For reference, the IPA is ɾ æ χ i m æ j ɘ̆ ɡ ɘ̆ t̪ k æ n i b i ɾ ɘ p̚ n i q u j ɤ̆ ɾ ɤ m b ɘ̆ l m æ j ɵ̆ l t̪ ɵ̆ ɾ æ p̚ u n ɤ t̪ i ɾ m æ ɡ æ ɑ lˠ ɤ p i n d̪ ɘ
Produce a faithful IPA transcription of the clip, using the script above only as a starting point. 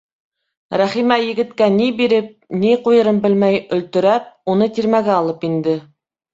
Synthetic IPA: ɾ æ χ i m æ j ɘ̆ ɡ ɘ̆ t̪ k æ n i b i ɾ ɘ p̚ n i q u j ɤ̆ ɾ ɤ m b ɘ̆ l m æ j ɵ̆ l t̪ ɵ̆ ɾ æ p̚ u n ɤ t̪ i ɾ m æ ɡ æ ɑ lˠ ɤ p i n d̪ ɘ